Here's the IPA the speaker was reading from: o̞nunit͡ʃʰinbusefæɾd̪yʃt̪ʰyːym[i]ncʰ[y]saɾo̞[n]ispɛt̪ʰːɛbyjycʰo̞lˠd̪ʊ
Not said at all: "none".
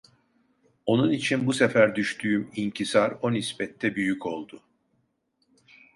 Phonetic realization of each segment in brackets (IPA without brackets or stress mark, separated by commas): i, i, n